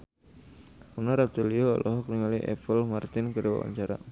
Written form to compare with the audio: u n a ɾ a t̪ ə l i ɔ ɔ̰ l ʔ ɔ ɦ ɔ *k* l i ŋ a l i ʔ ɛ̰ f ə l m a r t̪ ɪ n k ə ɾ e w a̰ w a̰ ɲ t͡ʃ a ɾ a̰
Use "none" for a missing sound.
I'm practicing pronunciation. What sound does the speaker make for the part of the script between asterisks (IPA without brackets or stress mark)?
k